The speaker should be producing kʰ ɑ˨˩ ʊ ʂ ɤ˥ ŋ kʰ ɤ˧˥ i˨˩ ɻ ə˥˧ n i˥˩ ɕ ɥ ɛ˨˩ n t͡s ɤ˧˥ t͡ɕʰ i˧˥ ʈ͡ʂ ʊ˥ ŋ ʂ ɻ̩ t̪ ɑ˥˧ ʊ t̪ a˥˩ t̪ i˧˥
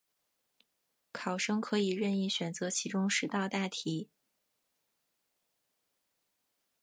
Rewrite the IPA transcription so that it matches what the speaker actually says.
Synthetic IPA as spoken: kʰ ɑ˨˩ ʊ ʂ ɤ˥ ŋ kʰ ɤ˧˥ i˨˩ ɻ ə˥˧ n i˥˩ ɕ ɥ ɛ˨˩ n t͡s ɤ˧˥ t͡ɕʰ i˧˥ ʈ͡ʂ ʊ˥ ŋ ʂ ɻ̩ t̪ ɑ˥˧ ʊ t̪ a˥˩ t̪ʰ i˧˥

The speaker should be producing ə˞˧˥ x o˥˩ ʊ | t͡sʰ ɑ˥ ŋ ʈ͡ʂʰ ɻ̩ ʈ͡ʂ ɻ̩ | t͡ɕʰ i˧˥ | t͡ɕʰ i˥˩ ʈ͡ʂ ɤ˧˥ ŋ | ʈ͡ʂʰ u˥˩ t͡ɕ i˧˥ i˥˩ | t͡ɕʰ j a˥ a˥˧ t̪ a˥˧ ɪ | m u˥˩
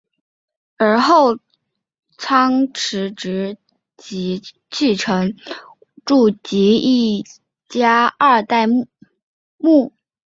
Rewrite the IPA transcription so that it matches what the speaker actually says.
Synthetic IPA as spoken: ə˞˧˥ x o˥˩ ʊ | t͡sʰ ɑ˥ ŋ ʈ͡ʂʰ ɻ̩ ʈ͡ʂ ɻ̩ | t͡ɕ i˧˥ | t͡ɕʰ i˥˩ ʈ͡ʂʰ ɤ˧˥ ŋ | ʈ͡ʂ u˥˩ t͡ɕ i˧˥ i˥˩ | t͡ɕ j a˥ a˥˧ t̪ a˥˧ ɪ | m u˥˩

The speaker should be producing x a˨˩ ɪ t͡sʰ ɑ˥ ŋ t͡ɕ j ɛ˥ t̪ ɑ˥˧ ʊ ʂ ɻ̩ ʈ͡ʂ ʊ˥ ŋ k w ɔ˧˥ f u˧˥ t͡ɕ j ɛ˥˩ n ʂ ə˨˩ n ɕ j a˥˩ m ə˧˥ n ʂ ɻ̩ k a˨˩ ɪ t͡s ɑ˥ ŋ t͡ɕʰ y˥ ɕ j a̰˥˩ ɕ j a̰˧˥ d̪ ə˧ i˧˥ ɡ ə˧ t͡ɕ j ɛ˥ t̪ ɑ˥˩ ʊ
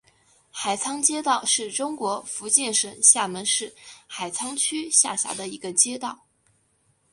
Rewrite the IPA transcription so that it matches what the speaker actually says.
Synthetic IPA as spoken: x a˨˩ ɪ t͡sʰ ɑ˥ ŋ t͡ɕ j ɛ˥ t̪ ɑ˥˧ ʊ ʂ ɻ̩ ʈ͡ʂ ʊ˥ ŋ k w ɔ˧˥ f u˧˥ t͡ɕ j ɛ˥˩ n ʂ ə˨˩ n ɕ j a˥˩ m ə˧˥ n ʂ ɻ̩ x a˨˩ ɪ t͡sʰ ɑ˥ ŋ t͡ɕʰ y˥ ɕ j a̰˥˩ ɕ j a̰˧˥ d̪ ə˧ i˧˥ ɡ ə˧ t͡ɕ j ɛ˥ t̪ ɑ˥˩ ʊ

